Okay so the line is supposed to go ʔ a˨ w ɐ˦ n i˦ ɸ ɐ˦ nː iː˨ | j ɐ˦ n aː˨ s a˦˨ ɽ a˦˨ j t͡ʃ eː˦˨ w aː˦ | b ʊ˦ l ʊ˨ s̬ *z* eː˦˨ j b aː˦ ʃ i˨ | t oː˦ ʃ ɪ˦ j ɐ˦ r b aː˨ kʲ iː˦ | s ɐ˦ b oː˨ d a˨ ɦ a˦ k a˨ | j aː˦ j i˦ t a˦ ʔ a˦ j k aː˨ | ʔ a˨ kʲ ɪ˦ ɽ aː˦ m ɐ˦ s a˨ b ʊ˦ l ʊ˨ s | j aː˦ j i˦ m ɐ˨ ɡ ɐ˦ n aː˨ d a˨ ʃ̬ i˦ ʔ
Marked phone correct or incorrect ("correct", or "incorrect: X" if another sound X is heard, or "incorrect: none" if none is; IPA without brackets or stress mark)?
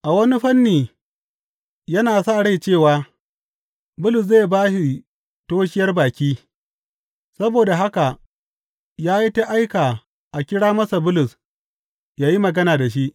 correct